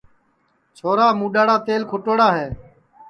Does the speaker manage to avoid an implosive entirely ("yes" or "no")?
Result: no